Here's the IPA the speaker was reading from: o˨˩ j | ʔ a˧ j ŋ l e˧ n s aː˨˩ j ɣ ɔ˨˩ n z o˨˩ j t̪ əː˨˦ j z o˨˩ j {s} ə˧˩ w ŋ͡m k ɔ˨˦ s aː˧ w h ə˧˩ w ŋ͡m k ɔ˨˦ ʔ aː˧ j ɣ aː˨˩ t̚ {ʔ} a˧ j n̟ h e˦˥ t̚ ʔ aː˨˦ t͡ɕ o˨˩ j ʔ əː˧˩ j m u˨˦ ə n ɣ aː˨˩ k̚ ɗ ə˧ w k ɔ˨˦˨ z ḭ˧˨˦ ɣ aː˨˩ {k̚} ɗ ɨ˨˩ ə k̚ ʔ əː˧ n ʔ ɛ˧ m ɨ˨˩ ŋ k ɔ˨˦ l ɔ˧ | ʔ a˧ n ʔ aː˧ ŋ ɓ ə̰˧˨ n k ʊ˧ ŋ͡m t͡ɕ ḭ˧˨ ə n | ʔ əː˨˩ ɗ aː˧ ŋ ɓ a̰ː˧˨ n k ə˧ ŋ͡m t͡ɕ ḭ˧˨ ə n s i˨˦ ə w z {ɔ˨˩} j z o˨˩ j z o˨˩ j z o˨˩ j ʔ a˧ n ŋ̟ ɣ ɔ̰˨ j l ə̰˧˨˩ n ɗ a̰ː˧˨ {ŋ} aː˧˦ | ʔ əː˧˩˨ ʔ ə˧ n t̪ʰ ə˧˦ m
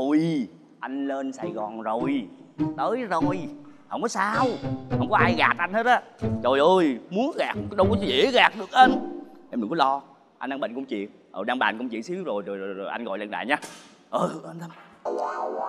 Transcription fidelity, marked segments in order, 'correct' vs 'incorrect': incorrect: h, correct, correct, incorrect: o˨˩, incorrect: ɲ

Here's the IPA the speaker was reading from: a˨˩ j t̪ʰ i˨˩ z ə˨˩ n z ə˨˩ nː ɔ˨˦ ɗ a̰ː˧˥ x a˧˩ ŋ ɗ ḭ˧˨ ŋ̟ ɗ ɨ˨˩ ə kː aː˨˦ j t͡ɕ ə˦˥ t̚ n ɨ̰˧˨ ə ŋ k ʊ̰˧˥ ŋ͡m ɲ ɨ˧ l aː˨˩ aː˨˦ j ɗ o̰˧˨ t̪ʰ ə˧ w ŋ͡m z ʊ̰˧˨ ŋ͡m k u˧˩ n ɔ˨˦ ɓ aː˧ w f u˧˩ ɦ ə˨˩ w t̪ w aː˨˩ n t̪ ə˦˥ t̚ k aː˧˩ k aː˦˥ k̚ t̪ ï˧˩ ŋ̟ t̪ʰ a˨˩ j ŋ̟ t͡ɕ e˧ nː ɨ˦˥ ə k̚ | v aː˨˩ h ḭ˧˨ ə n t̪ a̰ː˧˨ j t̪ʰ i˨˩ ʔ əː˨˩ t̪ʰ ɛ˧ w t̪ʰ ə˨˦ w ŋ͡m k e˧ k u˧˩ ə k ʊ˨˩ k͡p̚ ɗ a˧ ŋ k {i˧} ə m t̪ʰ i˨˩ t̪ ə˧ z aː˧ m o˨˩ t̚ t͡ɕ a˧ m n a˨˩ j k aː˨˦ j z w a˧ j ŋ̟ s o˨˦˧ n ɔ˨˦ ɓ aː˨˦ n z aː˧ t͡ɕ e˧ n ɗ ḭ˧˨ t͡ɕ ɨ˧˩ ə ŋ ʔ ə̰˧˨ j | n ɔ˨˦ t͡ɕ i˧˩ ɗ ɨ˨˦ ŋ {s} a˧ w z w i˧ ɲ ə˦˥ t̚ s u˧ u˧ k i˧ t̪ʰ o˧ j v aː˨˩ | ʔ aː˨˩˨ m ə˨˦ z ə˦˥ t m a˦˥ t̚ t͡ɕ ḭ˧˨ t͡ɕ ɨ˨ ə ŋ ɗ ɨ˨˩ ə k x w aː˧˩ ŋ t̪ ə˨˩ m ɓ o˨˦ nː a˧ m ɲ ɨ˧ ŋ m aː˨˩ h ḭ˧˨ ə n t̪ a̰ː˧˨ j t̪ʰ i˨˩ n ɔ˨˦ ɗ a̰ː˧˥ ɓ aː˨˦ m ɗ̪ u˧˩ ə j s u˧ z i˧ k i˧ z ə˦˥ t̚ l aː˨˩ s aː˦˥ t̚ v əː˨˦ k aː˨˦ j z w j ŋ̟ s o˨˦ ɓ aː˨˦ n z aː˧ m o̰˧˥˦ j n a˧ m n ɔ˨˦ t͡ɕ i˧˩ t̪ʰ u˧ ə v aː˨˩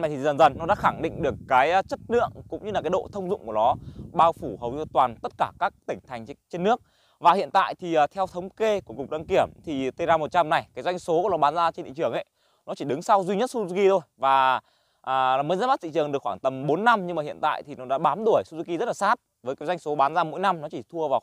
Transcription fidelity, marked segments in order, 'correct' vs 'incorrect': incorrect: i˧˩, correct

